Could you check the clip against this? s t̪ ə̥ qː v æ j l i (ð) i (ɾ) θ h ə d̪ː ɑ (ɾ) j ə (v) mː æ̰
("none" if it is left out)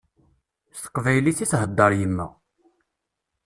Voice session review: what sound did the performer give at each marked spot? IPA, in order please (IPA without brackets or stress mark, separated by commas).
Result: θ, none, ɾ, none